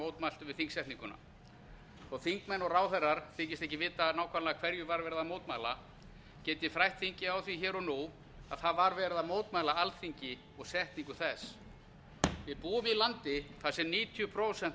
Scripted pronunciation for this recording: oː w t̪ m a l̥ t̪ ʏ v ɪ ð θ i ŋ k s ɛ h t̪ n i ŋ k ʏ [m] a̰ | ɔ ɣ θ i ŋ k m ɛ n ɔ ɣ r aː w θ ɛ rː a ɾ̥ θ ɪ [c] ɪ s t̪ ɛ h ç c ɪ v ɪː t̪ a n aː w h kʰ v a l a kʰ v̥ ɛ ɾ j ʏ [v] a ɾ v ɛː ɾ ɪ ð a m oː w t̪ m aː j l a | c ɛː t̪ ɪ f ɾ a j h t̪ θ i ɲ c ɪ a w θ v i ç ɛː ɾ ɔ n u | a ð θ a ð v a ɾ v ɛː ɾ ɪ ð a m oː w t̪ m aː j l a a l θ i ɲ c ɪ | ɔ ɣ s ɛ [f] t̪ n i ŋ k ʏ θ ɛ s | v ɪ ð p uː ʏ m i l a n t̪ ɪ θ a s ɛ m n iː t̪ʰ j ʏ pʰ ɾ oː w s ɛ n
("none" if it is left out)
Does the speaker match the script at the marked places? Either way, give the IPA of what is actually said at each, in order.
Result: n, c, v, h

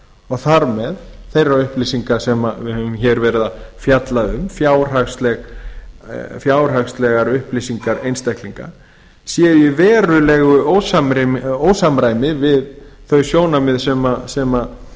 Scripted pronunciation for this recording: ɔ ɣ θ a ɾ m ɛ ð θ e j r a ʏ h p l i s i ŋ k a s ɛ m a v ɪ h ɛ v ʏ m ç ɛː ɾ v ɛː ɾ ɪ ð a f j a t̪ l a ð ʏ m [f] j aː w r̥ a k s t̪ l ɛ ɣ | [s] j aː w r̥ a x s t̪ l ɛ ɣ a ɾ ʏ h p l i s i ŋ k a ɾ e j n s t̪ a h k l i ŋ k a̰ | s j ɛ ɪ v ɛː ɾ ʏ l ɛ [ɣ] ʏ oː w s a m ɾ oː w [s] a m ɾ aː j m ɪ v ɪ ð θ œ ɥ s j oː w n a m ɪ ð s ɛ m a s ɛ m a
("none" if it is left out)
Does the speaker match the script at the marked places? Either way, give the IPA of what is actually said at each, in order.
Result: f, f, ɣ, s

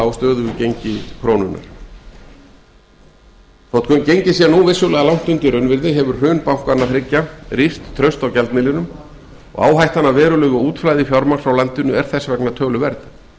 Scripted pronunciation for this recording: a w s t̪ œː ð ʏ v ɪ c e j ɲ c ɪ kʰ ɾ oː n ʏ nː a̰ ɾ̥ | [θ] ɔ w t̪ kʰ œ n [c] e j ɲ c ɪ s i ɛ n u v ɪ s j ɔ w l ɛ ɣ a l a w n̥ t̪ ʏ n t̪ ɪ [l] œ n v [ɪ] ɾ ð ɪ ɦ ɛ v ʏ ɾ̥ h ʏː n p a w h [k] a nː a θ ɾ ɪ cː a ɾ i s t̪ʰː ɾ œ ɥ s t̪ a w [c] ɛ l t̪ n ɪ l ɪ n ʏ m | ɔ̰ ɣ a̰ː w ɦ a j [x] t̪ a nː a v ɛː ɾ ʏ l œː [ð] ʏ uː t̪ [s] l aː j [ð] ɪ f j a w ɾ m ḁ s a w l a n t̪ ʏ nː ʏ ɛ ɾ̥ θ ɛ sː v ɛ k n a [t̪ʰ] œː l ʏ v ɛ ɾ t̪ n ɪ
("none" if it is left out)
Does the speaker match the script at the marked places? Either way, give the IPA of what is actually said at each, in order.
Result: θ, c, ɾ, ɪ, k, c, h, ɣ, f, ð, t̪ʰ

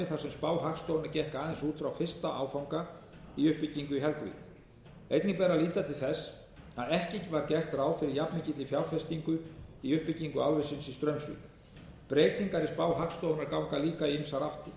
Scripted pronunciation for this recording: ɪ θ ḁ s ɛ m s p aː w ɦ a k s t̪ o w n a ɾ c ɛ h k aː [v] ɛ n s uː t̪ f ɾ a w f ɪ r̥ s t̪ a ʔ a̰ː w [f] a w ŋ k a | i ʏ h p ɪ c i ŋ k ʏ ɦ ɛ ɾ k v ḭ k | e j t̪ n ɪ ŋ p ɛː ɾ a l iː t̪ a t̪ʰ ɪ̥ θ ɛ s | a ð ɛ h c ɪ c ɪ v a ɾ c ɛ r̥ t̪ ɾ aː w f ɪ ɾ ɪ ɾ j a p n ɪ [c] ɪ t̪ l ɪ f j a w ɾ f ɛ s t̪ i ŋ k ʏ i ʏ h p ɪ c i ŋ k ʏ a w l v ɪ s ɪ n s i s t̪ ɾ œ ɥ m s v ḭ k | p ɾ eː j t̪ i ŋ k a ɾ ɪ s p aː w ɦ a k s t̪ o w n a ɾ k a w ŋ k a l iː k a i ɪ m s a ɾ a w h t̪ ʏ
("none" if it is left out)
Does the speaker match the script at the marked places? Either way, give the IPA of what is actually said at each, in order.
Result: ð, f, c

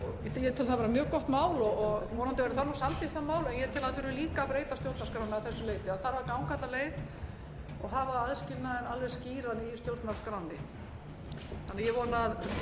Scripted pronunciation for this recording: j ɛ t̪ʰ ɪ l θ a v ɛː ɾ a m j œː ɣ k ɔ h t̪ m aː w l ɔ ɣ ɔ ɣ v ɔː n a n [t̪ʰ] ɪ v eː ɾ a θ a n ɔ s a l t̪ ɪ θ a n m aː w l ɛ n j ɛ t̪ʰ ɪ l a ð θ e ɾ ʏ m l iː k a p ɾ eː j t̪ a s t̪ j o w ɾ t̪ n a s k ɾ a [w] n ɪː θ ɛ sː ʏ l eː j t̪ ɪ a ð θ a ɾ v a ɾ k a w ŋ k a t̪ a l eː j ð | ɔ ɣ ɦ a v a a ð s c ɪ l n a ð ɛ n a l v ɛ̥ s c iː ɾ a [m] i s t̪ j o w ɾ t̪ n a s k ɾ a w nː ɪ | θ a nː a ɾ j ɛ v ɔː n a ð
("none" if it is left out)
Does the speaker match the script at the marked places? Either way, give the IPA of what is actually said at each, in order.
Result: t̪, w, n

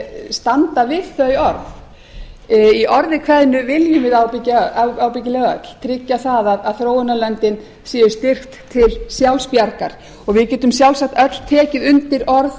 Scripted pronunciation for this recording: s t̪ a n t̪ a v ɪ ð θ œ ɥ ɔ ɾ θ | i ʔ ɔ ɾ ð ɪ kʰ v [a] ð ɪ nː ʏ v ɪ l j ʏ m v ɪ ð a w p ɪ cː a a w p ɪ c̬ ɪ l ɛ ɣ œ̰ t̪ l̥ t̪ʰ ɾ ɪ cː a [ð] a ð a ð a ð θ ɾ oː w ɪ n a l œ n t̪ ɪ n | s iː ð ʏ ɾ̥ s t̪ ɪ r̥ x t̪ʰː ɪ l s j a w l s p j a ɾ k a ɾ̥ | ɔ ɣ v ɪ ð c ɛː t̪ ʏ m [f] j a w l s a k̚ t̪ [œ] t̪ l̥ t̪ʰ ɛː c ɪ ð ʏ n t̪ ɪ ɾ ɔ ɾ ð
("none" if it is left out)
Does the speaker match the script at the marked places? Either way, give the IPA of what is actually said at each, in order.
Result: ɛ, θ, s, œ

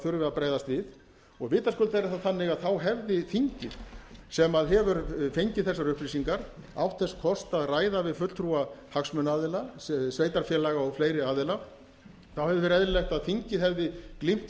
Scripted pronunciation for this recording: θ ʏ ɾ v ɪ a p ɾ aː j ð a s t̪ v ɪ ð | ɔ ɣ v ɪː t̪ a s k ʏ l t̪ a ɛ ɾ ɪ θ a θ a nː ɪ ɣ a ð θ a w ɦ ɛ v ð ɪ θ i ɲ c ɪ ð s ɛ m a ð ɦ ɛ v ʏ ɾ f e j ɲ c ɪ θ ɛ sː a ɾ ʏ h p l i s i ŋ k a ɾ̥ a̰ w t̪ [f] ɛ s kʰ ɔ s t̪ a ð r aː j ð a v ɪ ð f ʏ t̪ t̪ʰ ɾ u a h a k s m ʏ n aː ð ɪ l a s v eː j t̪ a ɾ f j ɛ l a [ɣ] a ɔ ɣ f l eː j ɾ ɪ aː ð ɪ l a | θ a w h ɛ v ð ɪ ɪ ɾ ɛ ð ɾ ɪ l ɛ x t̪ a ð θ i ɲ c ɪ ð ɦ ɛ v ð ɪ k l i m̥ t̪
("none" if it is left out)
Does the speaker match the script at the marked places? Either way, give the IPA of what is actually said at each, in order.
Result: θ, ɣ

